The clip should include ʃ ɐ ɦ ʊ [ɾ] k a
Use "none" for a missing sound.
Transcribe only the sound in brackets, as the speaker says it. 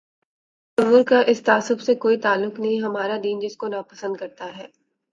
ɾ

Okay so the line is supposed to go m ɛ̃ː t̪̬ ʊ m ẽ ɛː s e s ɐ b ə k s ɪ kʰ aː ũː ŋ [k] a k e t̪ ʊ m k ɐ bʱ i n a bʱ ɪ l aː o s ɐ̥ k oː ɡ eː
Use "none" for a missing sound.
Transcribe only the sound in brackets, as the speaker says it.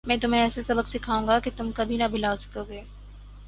ɡ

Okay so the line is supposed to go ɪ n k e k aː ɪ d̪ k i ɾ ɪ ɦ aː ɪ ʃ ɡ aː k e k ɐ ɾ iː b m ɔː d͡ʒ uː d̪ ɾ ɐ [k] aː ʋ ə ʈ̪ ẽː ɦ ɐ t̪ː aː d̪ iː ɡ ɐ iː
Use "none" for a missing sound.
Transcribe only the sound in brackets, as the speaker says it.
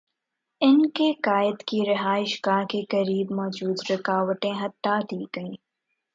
k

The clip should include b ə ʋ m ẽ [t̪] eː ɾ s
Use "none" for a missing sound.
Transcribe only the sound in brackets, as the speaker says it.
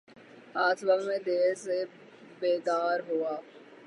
d̪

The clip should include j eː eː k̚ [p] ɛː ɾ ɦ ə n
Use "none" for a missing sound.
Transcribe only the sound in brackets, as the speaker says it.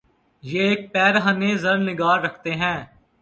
p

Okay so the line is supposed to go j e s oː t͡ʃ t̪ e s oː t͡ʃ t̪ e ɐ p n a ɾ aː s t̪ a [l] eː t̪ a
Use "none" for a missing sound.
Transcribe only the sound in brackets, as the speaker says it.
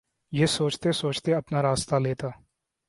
l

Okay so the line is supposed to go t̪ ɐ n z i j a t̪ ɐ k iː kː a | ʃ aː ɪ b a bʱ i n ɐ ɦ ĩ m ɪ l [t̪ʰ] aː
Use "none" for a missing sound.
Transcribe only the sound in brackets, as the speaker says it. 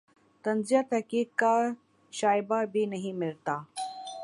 t̪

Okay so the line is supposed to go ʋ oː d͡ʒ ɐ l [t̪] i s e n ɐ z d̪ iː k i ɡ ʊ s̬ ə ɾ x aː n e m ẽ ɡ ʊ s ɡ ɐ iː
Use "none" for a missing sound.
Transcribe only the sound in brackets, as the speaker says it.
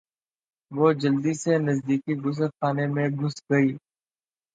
d̪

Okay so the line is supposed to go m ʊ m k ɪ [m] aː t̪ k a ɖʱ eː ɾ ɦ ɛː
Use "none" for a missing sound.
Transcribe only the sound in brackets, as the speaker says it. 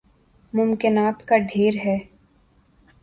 n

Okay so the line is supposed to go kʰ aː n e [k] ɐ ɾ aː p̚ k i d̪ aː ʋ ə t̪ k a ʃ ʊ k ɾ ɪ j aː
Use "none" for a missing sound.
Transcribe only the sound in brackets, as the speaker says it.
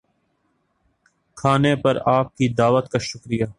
p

